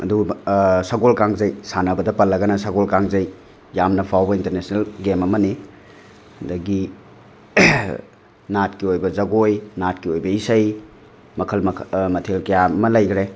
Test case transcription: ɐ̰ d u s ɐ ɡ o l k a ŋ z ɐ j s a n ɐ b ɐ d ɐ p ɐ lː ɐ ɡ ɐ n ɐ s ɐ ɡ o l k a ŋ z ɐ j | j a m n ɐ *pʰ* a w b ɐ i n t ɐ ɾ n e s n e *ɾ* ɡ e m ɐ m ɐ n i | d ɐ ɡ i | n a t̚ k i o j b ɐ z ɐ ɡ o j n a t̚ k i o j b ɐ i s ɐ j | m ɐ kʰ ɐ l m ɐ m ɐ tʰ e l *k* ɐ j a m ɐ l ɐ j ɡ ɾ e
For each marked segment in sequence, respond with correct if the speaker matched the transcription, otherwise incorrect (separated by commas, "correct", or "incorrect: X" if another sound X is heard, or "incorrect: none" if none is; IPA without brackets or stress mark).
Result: correct, incorrect: l, correct